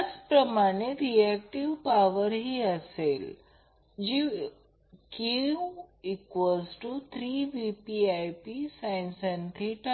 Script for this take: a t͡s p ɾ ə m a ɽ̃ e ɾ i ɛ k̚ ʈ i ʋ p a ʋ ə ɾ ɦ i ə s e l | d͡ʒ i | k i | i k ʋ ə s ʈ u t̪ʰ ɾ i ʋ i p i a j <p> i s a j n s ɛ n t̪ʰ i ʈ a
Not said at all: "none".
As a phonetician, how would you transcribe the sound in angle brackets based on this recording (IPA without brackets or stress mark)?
p